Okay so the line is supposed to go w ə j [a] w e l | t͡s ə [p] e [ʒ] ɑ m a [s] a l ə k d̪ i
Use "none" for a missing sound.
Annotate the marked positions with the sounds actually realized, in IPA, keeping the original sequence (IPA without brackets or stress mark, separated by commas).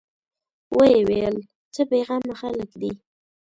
e, p, ɣ, x